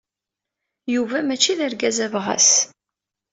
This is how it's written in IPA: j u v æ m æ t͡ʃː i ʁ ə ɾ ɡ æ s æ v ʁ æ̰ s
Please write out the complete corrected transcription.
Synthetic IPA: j u v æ m æ t͡ʃː i ð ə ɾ ɡ æ z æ v ʁ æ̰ s

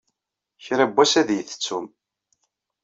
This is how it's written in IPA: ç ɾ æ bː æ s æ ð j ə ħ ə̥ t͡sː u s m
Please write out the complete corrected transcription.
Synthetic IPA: ç ɾ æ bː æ s æ ð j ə θ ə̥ t͡sː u m

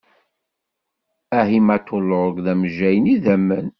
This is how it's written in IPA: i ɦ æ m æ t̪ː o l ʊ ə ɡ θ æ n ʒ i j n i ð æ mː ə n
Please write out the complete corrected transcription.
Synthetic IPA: æ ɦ i m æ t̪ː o l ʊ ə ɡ ð æ m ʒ æ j n i ð æ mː ə n

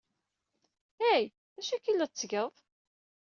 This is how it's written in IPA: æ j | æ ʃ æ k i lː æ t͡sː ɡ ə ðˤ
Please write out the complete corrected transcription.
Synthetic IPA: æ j | æ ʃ æ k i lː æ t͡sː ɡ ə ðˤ

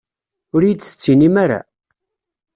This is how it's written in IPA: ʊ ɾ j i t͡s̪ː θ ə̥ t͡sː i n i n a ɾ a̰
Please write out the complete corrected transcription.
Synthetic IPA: ʊ ɾ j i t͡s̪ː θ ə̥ t͡sː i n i m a ɾ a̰

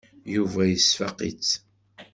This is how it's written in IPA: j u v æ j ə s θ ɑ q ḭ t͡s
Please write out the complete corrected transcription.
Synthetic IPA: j u v æ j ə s f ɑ q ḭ t͡s

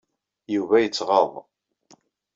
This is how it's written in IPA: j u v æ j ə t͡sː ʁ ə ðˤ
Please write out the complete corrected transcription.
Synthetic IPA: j u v æ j ə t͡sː ʁ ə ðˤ

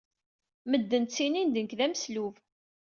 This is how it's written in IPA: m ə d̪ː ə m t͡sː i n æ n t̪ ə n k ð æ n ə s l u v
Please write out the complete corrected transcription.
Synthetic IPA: m ə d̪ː ə n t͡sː i n i n d̪ ə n k ð æ m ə s l u v

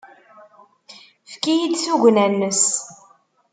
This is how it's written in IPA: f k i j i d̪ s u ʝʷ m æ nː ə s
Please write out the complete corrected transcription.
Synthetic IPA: f k i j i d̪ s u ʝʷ n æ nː ə s

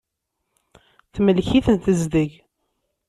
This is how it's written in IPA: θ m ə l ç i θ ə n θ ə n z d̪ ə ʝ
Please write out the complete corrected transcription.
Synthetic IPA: θ m ə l ç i θ ə n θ ə z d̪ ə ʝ

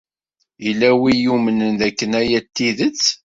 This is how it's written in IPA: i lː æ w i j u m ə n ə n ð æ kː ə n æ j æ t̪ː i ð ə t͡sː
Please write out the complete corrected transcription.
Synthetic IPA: i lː æ w i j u m ə n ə n ð æ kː ə n æ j æ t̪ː i ð ə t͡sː

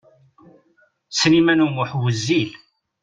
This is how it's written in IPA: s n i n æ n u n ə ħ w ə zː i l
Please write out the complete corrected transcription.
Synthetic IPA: s n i m æ n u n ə ħ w ə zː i l

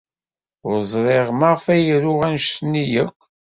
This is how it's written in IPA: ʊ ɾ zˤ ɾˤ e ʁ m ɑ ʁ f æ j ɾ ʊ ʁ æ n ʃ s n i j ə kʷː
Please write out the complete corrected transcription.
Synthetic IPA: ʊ ɾ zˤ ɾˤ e ʁ m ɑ ʁ f æ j ɾ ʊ ʁ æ n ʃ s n i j ə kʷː

